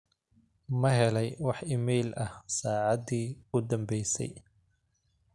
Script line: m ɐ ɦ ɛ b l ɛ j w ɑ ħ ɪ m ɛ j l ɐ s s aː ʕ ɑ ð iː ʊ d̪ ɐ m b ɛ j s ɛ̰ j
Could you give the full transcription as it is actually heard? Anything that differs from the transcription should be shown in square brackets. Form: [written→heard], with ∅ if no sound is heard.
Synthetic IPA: m ɐ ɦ ɛ [b→∅] l ɛ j w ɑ ħ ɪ m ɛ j l ɐ [s→h] s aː ʕ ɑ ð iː ʊ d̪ ɐ m b ɛ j s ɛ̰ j